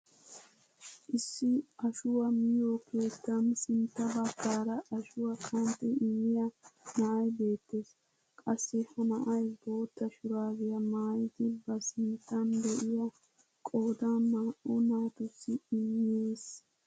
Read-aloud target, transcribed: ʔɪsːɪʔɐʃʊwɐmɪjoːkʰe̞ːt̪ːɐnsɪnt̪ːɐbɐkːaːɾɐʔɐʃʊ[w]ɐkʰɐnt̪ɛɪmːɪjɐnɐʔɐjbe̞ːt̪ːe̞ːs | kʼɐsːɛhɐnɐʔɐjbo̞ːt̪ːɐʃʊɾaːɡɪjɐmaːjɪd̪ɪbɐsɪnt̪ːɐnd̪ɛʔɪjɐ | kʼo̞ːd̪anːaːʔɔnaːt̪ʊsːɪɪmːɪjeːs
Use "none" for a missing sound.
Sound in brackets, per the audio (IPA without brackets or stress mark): w